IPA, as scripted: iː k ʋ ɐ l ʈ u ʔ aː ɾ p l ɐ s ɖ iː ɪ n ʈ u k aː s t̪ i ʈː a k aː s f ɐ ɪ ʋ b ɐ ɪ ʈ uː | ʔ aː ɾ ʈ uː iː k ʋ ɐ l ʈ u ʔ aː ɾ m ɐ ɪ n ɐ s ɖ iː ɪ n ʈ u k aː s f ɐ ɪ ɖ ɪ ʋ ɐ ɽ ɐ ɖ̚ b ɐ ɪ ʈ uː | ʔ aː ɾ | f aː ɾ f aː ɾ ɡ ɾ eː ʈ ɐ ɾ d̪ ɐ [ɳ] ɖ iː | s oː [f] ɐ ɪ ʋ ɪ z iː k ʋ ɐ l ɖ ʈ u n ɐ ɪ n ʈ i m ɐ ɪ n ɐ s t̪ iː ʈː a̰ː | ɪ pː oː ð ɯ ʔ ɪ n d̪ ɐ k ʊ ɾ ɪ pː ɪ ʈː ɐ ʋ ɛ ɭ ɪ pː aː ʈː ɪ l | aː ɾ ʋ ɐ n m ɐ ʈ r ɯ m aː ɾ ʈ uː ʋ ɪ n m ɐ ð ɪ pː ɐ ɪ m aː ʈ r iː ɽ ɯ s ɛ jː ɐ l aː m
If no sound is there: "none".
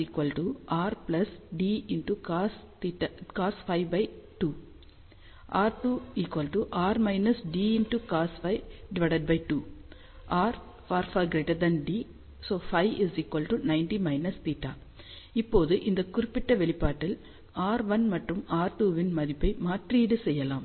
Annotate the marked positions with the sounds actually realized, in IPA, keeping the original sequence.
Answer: n, f

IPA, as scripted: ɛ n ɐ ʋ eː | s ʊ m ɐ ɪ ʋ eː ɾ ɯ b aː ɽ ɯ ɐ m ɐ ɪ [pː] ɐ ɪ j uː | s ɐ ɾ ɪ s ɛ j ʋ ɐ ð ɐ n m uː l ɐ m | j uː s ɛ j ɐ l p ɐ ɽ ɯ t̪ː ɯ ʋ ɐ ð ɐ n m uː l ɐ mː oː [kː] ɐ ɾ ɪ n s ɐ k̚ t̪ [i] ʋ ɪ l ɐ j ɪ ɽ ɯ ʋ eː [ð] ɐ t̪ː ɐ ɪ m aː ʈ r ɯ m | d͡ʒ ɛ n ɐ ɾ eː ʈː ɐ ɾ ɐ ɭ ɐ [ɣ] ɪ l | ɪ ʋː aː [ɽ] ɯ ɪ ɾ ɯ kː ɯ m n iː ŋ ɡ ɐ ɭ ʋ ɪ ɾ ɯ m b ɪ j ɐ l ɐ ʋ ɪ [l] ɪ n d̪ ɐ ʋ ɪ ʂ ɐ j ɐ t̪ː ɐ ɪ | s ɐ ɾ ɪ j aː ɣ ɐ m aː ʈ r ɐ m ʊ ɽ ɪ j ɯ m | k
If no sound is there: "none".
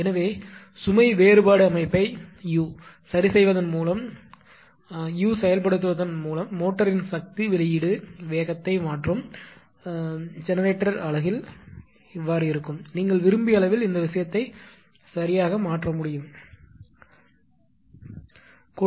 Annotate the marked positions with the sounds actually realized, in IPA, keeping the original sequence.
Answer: pː, ʈː, i, ɣ, ɣ, ɾ, l

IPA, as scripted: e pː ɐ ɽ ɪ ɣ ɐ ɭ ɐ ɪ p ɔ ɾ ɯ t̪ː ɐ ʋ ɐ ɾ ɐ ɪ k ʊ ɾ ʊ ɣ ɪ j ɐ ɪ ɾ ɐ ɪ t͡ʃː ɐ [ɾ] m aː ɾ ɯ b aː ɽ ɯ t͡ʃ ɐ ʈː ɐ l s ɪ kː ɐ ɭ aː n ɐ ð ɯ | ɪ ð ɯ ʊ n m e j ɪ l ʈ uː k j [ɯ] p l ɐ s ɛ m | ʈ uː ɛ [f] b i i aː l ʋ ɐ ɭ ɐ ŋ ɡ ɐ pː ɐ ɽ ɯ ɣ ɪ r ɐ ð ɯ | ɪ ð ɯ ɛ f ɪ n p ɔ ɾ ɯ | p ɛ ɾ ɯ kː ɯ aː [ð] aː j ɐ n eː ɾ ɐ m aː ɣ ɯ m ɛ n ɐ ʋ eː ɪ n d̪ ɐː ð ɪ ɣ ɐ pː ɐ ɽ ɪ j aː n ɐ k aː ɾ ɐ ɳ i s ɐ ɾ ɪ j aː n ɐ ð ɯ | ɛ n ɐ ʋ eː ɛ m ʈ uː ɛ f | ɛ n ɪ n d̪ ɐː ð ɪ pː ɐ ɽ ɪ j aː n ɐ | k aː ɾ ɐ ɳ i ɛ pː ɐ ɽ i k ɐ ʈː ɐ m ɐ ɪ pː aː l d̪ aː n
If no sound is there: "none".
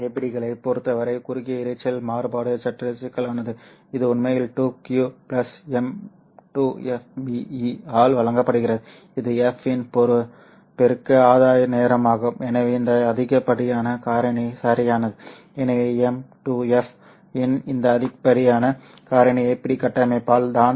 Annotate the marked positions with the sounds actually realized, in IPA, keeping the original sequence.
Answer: l, u, f, ð

